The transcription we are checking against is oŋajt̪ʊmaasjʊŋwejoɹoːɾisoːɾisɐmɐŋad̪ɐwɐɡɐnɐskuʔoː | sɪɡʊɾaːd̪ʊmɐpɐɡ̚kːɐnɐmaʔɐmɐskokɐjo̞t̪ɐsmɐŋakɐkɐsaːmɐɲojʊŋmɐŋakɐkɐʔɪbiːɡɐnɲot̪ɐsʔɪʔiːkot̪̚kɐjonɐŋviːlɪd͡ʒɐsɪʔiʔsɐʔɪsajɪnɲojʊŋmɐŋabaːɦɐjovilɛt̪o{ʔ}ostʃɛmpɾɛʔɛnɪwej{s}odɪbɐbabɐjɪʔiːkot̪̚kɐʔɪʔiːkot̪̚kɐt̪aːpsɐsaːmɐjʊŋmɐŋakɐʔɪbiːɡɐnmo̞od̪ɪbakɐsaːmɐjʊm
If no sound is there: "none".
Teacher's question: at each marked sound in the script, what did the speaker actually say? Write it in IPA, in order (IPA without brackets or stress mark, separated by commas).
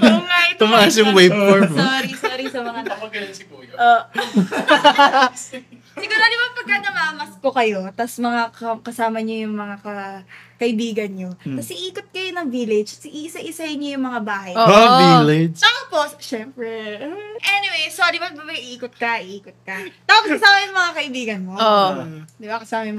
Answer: p, s